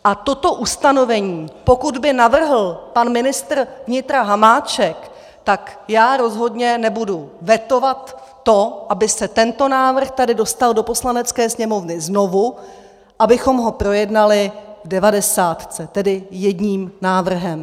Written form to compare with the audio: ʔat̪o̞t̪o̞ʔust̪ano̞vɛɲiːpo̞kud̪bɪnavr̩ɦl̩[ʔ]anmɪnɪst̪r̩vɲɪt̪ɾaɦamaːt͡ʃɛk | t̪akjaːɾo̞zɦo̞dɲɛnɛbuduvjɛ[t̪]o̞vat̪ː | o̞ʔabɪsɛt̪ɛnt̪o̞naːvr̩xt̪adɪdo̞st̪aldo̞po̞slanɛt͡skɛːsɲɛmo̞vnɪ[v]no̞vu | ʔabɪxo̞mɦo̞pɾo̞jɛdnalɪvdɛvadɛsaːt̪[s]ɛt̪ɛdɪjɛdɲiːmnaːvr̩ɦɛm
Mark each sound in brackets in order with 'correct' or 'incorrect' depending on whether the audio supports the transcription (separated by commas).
incorrect, correct, incorrect, incorrect